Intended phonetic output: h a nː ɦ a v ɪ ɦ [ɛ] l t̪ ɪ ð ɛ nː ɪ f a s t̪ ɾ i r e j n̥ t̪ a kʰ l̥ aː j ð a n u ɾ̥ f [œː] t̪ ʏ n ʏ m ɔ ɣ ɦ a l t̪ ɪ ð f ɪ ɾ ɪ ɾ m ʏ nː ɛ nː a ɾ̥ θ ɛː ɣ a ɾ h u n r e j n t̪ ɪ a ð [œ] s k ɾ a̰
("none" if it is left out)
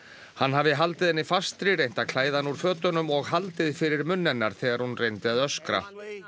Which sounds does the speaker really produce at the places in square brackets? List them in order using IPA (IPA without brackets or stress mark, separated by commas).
a, œː, œ